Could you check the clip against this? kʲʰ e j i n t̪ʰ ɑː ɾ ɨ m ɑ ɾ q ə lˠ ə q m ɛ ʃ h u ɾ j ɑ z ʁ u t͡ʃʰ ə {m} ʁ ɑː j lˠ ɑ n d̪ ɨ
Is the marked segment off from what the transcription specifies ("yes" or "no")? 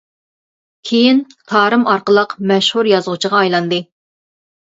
yes